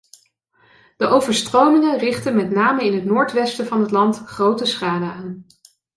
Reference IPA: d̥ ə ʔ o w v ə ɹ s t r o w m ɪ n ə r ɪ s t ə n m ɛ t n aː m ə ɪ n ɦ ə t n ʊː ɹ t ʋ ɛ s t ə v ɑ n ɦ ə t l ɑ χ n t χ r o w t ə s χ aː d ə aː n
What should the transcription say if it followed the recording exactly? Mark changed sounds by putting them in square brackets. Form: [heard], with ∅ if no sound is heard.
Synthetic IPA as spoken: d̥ ə ʔ o w v ə ɹ s t r o w m ɪ [ŋ] ə r ɪ [χ] t ə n m ɛ t n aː m ə ɪ n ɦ ə t n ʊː ɹ t ʋ ɛ s t ə v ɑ n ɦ ə t l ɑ [∅] n t χ r o w t ə s χ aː d ə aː n